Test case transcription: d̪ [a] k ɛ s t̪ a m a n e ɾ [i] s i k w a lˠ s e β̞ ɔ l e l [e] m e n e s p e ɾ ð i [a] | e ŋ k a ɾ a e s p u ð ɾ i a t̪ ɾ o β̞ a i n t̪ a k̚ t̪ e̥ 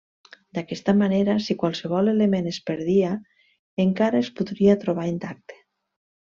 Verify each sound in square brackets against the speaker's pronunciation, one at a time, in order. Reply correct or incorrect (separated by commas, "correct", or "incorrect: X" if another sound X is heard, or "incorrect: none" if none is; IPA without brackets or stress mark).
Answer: correct, incorrect: a, correct, correct